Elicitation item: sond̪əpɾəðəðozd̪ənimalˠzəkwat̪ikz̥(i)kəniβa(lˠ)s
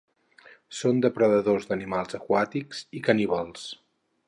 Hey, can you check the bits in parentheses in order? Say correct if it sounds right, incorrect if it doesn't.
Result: correct, correct

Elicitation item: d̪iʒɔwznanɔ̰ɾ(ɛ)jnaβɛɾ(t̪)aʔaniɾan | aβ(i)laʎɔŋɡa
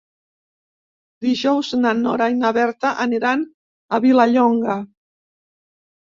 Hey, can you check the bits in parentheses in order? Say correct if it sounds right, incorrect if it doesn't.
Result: incorrect: a, correct, correct

